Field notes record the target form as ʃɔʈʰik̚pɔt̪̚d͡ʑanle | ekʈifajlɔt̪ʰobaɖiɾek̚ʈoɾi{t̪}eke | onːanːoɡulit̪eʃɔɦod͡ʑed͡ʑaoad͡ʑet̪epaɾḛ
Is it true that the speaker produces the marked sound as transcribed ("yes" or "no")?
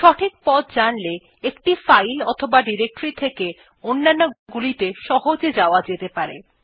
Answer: no